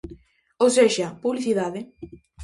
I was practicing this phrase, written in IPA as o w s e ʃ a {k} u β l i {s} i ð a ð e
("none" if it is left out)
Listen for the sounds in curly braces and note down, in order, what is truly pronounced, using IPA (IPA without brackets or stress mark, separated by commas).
p, θ